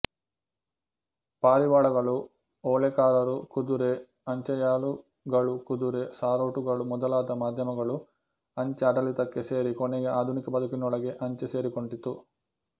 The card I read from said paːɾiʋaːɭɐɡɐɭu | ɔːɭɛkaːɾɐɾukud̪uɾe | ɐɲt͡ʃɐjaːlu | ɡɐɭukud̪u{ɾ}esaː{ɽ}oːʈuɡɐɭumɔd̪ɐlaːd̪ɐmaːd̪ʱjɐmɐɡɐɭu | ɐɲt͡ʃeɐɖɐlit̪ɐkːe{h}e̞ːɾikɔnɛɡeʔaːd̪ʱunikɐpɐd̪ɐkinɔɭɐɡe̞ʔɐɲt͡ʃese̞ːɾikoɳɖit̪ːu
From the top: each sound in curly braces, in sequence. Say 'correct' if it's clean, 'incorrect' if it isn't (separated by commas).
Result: correct, incorrect, incorrect